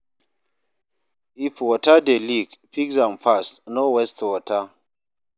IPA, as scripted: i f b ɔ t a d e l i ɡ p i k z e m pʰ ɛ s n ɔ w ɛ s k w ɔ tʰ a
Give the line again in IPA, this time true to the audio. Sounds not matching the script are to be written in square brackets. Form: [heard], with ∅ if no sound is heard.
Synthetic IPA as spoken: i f [w] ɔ t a d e l i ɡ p i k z [a] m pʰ [a] s n ɔ w ɛ s [t] w ɔ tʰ a